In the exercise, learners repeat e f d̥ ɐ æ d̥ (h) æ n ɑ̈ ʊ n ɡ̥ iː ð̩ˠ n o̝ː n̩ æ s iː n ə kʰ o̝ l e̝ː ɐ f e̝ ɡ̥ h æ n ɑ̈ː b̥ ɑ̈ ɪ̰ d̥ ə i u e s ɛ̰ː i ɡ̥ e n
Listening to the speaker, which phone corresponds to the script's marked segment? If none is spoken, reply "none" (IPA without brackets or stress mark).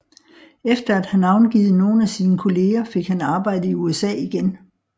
h